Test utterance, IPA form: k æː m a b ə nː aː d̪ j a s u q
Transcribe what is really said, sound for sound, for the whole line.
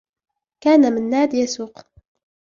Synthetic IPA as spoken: k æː n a m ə nː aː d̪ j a s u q